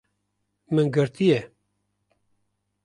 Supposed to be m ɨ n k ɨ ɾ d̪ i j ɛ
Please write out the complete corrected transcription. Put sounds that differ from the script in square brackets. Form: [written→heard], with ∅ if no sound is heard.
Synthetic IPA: m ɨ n [k→ɡ] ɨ ɾ [d̪→t̪] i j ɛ